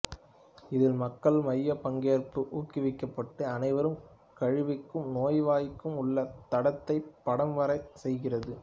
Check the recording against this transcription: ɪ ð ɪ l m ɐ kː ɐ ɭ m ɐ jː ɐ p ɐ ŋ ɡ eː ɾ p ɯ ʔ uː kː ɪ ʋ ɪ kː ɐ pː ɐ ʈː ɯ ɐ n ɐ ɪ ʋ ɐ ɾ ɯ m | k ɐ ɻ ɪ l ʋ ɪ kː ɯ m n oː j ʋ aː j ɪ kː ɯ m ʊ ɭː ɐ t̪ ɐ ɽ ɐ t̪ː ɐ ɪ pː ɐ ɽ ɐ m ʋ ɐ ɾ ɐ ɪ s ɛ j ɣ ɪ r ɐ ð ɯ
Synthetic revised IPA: ɪ ð ɪ l m ɐ kː ɐ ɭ m ɐ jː ɐ p ɐ ŋ ɡ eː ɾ p ɯ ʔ uː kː ɪ ʋ ɪ kː ɐ pː ɐ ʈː ɯ ɐ n ɐ ɪ ʋ ɐ ɾ ɯ m | k ɐ ɻ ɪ ʋ ɪ kː ɯ m n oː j ʋ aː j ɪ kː ɯ m ʊ ɭː ɐ t̪ ɐ ɽ ɐ t̪ː ɐ ɪ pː ɐ ɽ ɐ m ʋ ɐ ɾ ɐ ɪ s ɛ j ɣ ɪ r ɐ ð ɯ